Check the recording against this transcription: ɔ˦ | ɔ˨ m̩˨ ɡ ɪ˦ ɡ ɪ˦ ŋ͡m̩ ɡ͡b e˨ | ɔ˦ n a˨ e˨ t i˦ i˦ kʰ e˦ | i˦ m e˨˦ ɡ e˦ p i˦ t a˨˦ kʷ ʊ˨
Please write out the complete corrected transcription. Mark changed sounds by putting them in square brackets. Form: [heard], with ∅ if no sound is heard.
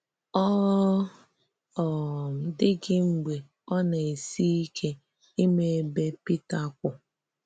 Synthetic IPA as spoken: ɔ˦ | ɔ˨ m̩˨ [d] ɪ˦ ɡ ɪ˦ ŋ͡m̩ ɡ͡b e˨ | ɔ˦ n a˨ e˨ [s] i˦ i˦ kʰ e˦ | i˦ m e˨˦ [b] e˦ p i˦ t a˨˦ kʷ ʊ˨